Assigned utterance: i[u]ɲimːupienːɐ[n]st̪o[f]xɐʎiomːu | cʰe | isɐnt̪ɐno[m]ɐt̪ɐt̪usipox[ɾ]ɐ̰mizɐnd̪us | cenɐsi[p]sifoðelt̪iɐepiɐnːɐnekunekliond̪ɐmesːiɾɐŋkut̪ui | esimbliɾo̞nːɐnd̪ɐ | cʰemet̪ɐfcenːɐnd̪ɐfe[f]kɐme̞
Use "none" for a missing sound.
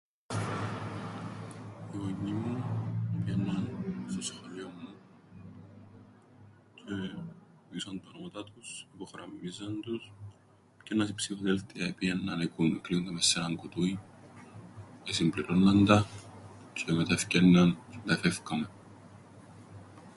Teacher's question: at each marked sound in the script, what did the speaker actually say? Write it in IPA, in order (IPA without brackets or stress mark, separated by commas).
o, n, s, m, ɾ, p, f